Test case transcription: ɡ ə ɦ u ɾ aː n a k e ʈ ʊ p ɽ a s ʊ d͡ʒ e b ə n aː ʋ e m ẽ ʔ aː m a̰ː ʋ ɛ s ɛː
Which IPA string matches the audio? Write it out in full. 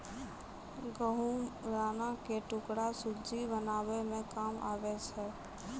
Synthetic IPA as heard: ɡ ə ɦ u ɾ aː n a k e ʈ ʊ k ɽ a s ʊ d͡ʒ i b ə n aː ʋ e m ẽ k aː m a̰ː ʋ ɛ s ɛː